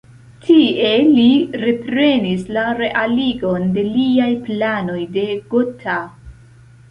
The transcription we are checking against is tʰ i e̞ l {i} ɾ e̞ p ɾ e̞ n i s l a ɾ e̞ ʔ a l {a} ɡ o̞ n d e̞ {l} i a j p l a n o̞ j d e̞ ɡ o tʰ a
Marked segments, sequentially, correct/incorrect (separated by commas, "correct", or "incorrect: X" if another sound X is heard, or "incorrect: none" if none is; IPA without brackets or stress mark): correct, incorrect: i, correct